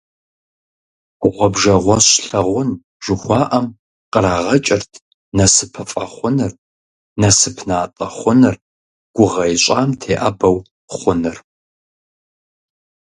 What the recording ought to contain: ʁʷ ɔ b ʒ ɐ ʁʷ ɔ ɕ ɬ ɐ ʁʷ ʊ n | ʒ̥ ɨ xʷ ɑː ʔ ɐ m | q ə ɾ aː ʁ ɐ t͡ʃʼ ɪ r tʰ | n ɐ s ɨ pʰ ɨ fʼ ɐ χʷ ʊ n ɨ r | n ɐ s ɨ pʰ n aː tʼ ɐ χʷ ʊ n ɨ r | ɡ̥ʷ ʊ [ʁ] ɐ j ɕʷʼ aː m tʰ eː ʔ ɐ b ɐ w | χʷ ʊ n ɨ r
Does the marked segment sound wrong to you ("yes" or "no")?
no